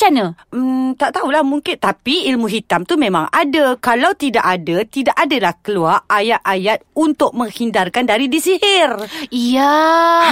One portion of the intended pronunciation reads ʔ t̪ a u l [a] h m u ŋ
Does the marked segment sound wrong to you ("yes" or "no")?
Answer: no